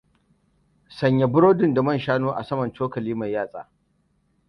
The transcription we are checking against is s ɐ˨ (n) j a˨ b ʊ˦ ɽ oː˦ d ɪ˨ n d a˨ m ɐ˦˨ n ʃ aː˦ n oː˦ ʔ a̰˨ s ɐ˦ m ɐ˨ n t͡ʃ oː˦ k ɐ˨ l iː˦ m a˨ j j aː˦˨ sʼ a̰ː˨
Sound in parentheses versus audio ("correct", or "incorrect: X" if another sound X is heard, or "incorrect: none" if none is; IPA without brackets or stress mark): incorrect: ɲ